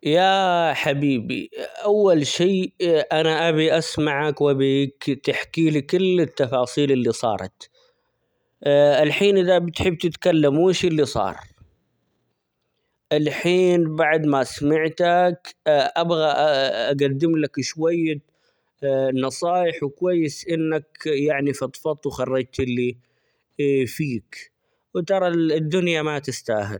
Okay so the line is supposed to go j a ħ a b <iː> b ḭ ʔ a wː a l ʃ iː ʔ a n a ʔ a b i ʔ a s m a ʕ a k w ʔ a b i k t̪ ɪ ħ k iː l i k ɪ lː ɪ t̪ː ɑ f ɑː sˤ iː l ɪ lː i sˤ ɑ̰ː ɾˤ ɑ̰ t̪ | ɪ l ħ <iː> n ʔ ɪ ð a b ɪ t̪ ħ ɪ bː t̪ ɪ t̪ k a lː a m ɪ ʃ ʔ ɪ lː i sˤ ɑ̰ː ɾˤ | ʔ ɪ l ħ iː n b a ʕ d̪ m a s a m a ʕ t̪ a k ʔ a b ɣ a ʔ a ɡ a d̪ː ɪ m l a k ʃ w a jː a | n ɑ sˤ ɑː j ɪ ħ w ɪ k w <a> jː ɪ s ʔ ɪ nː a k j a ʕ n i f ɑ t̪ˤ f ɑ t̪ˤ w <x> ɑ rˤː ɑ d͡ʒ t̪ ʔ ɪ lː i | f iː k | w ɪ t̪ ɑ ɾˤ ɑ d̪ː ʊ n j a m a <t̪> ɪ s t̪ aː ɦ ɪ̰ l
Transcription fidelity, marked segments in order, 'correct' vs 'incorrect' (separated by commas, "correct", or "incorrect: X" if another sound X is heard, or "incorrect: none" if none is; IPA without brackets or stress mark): correct, correct, correct, correct, correct